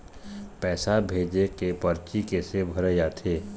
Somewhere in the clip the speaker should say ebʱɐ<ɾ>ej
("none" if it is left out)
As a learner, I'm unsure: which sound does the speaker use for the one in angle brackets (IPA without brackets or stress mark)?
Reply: ɾ